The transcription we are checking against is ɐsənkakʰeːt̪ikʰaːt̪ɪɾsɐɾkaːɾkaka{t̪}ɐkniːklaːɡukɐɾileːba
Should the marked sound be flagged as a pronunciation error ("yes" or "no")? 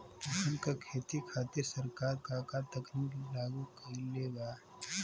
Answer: no